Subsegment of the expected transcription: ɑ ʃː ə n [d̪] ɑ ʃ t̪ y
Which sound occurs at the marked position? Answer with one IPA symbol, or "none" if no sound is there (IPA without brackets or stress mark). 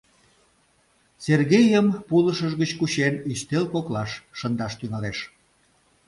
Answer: d̪